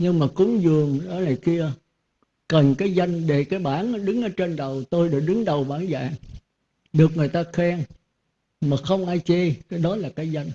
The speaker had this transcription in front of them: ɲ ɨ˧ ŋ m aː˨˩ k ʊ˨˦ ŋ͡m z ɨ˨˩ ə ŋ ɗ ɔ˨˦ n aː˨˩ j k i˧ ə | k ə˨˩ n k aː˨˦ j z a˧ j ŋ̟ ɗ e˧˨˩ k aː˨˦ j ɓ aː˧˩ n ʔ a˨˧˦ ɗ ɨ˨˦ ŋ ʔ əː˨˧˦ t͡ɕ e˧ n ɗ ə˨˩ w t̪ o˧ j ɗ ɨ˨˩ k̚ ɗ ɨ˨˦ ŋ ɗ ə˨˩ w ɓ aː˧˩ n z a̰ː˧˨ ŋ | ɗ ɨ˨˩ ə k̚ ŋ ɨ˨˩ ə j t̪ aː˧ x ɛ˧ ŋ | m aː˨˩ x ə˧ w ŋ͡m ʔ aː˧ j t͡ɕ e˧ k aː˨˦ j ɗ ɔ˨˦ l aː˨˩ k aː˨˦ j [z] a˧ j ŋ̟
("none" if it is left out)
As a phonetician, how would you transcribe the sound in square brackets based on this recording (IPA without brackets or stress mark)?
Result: z